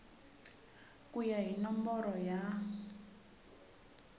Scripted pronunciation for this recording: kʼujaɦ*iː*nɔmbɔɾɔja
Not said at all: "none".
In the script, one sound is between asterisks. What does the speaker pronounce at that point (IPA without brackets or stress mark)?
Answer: i